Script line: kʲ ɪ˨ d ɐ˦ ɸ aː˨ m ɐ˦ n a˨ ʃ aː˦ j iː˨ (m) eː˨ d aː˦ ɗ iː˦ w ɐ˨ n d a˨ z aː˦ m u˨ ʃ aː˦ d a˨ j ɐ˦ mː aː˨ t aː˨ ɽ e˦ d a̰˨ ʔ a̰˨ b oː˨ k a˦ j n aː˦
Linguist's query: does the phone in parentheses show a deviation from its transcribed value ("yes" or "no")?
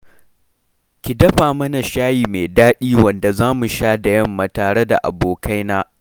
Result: no